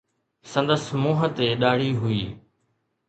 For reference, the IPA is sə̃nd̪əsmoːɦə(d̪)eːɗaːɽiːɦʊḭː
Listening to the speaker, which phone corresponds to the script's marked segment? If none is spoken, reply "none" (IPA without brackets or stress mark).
t̪